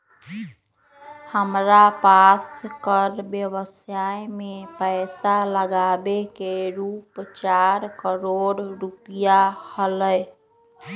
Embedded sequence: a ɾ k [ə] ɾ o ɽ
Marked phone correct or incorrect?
correct